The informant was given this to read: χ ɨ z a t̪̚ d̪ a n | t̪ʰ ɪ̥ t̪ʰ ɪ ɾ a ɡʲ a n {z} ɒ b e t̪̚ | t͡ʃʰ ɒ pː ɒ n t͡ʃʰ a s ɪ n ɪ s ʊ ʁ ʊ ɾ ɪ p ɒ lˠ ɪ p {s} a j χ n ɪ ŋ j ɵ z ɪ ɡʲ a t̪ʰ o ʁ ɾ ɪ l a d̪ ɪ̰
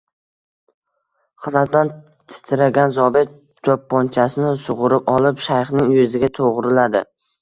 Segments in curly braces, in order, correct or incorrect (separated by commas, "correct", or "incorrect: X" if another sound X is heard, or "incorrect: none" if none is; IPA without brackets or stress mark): correct, incorrect: ʃ